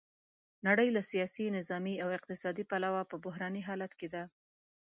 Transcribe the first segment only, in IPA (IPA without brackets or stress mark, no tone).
n